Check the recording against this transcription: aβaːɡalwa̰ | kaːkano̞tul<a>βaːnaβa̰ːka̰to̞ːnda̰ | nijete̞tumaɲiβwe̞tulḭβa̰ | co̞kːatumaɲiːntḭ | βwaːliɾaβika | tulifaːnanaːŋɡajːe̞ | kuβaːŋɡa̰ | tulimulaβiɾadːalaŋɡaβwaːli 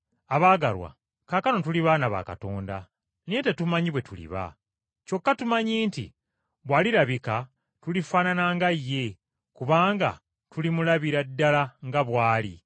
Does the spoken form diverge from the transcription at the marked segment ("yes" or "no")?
yes